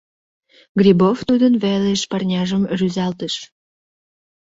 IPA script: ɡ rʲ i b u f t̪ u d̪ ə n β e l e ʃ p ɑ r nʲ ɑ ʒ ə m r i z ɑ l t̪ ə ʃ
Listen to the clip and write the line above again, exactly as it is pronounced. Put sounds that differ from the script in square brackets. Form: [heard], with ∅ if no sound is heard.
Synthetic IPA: ɡ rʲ i b [o] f t̪ u d̪ ə n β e l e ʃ p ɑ r nʲ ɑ ʒ ə m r [y] z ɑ l t̪ ə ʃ

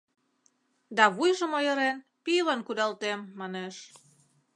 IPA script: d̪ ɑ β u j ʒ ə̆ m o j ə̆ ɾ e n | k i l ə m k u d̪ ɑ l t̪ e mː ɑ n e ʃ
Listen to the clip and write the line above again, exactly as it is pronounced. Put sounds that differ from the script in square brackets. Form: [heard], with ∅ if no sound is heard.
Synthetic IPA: d̪ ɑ β u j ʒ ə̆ m o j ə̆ ɾ e n | [p] i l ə [n] k u d̪ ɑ l t̪ e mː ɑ n e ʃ

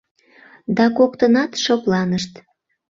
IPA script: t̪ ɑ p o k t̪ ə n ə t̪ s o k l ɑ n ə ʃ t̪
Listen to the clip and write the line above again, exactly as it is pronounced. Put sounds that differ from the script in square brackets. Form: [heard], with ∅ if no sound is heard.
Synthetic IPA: [d̪] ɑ [k] o k t̪ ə n [ɑ] t̪ [ʃ] o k l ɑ n ə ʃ t̪

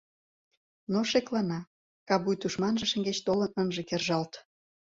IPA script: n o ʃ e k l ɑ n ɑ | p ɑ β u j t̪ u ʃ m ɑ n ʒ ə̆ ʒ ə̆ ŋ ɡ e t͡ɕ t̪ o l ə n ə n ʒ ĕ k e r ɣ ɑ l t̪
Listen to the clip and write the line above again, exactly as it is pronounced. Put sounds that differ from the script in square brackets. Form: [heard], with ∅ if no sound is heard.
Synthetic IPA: n o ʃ e k l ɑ n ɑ | [k] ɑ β u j t̪ u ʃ m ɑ n ʒ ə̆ [ʃ] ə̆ ŋ ɡ e t͡ɕ t̪ o l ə n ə n ʒ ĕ k e r [ʒ] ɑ l t̪

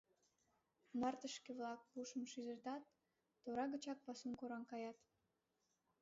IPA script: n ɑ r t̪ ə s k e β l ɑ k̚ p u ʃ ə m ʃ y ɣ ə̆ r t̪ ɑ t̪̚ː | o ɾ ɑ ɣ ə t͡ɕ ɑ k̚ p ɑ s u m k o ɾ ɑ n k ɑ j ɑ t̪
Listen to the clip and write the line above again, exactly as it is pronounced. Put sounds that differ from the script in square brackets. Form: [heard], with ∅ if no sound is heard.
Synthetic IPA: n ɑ r t̪ ə [ʃ] k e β l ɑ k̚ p u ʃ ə m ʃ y [z] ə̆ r t̪ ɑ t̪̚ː | o ɾ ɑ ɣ ə t͡ɕ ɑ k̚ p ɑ s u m k o ɾ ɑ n k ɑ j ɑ t̪

